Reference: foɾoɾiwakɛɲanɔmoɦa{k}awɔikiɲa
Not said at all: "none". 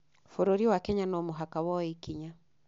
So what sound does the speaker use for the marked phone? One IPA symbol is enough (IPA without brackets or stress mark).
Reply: k